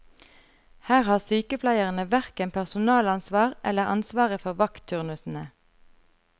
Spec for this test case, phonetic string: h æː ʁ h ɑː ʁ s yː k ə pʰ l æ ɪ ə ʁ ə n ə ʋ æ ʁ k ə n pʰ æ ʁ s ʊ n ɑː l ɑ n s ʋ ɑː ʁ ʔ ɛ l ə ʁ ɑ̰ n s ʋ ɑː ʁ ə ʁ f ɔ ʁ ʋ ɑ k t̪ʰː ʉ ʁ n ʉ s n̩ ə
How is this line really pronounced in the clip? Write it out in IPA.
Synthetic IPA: h æː ʁ h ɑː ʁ s yː k ə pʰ l æ ɪ ə ʁ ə n ə ʋ æ ʁ k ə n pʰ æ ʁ s ʊ n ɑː l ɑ n s ʋ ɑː ʁ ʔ ɛ l ə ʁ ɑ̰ n s ʋ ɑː ʁ ə f ɔ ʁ ʋ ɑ k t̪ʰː ʉ ʁ n ʉ s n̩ ə